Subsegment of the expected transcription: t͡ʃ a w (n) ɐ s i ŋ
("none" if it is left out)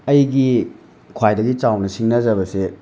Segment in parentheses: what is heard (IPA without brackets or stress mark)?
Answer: n